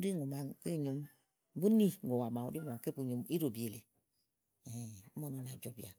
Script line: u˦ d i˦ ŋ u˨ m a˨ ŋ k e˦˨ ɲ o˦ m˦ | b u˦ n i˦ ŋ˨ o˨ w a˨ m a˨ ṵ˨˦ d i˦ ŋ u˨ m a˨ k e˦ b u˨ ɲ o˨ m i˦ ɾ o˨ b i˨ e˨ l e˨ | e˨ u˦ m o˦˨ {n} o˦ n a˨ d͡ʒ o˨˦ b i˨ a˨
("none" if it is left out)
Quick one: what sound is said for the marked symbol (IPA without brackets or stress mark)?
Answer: n